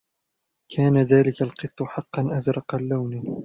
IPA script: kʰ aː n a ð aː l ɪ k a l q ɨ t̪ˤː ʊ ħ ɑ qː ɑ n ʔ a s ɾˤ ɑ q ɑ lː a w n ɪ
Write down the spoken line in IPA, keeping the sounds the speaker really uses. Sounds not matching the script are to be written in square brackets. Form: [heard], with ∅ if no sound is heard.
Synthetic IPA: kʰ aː n a ð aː l ɪ k a l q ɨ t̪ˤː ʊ ħ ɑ qː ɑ n ʔ a [z] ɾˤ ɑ q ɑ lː a w n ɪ